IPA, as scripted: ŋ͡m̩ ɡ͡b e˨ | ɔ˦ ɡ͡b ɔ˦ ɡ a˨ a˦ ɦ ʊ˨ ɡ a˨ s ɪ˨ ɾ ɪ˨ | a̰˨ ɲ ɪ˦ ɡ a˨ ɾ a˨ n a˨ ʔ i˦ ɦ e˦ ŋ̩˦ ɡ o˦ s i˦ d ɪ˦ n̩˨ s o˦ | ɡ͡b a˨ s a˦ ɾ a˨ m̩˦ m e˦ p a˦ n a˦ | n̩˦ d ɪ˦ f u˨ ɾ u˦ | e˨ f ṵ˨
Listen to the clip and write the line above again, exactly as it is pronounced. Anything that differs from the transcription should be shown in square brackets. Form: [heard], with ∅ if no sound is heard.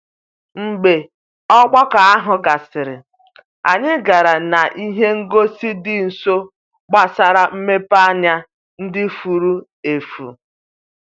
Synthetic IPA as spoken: ŋ͡m̩ ɡ͡b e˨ | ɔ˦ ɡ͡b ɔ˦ [k] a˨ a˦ ɦ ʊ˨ ɡ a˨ s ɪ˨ ɾ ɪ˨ | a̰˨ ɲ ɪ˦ ɡ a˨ ɾ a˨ n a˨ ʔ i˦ ɦ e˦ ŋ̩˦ ɡ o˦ s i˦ d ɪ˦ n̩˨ s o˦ | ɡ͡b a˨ s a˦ ɾ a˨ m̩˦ m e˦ p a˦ [ɲ] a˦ | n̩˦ d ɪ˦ f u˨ ɾ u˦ | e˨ f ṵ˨